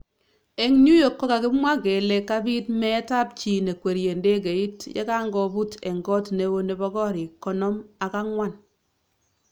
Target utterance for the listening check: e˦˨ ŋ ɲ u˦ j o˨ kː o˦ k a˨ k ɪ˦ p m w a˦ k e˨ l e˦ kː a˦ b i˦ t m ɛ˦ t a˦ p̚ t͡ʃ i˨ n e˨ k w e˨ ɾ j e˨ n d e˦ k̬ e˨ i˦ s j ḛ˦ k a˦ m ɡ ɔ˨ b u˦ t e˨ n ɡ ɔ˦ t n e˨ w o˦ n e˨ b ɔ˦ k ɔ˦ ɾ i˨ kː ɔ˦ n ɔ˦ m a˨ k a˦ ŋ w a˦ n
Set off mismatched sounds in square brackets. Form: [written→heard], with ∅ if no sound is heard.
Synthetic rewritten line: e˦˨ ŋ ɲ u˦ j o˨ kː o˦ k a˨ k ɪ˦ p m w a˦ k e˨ l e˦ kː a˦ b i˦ t m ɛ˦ t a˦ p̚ t͡ʃ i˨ n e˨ k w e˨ ɾ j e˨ n d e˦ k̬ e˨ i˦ [s→t] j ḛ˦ k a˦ [m→ŋ] ɡ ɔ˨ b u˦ t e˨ [n→ŋ] ɡ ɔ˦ t n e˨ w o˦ n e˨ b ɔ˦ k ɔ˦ ɾ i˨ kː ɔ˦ n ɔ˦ m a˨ k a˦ ŋ w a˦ n